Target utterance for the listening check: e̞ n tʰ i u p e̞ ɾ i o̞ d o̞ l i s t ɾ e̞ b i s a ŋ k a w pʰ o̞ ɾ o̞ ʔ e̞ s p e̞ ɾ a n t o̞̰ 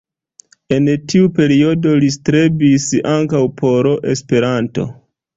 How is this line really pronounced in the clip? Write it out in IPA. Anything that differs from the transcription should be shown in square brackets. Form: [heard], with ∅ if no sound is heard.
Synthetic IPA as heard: e̞ n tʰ i u p e̞ ɾ i o̞ d o̞ l i s t ɾ e̞ b i s a ŋ k a w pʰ o̞ ɾ o̞ ʔ e̞ s p e̞ ɾ a n t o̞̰

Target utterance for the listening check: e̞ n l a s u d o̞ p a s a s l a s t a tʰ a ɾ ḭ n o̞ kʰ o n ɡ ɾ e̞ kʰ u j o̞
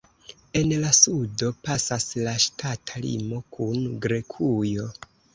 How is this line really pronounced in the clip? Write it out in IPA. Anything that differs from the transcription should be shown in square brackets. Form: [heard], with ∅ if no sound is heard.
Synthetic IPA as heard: e̞ n l a s u d o̞ p a s a s l a [ʃ] t a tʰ a [l] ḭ [m] o̞ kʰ [u] n ɡ ɾ e̞ kʰ u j o̞

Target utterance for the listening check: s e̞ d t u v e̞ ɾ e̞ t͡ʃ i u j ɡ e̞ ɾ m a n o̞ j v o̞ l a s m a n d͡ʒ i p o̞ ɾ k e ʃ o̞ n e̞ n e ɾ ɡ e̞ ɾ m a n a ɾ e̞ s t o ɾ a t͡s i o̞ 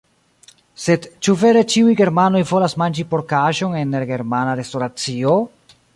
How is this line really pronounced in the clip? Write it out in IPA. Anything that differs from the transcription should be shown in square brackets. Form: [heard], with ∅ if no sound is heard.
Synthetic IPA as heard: s e̞ d [t͡ʃ] u v e̞ ɾ e̞ t͡ʃ i u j ɡ e̞ ɾ m a n o̞ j v o̞ l a s m a n d͡ʒ i p o̞ ɾ k [a] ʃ o̞ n e̞ n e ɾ ɡ e̞ ɾ m a n a ɾ e̞ s t o ɾ a t͡s i o̞

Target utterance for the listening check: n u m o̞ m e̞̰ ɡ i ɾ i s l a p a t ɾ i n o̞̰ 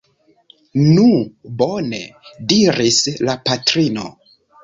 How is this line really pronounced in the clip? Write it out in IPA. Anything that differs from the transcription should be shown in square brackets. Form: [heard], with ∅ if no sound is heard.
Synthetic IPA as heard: n u [b] o̞ [n] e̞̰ [d] i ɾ i s l a p a t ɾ i n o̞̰

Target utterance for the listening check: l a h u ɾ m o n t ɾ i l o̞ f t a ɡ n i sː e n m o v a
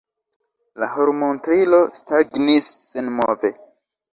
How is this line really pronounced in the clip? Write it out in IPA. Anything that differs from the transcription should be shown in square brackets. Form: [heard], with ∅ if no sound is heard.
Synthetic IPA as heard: l a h [o] ɾ m o n t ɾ i l o̞ [s] t a ɡ n i sː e n m o v [e]

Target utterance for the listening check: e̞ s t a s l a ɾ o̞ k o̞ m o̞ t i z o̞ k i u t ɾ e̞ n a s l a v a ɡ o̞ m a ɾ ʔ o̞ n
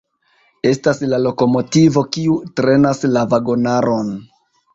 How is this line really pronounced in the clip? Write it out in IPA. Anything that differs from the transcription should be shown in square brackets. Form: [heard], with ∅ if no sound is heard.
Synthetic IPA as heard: e̞ s t a s l a [l] o̞ k o̞ m o̞ t i [v] o̞ k i u t ɾ e̞ n a s l a v a ɡ o̞ [n] a ɾ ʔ o̞ n

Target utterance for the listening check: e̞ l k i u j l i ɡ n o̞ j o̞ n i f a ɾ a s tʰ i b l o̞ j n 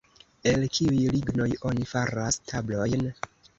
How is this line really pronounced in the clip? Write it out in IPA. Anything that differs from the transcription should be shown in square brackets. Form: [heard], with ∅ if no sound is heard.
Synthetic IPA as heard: e̞ l k i u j l i ɡ n o̞ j o̞ n i f a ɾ a s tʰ [a] b l o̞ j n

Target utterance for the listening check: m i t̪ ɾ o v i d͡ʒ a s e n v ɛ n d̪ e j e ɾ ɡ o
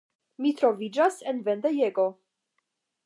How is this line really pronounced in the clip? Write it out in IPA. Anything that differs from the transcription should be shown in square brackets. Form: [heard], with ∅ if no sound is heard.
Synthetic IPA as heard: m i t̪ ɾ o v i d͡ʒ a s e n v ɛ n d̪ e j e [∅] ɡ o

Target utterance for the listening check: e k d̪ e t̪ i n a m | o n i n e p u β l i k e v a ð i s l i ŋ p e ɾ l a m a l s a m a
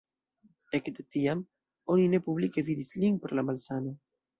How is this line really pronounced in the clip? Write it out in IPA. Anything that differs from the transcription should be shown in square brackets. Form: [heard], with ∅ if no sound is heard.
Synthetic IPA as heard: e k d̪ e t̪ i [∅] a m | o n i n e p u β l i k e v [i] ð i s l i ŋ p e ɾ l a m a l s a [n] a

